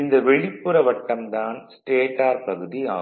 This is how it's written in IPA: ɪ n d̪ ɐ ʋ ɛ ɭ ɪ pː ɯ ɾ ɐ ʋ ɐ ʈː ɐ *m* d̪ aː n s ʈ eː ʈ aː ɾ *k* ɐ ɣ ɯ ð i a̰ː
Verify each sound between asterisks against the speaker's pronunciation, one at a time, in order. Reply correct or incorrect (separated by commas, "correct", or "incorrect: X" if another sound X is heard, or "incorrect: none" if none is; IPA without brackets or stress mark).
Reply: correct, incorrect: p